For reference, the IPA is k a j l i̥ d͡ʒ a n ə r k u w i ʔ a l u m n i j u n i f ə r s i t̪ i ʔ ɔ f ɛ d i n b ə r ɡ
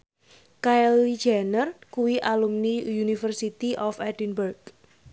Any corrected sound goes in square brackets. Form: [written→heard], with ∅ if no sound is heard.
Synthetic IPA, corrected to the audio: k a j l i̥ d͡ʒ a n ə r k u w i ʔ a l u m n i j u n i f ə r s i t̪ i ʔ ɔ f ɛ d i n b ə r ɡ